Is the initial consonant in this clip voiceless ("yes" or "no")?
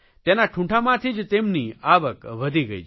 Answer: yes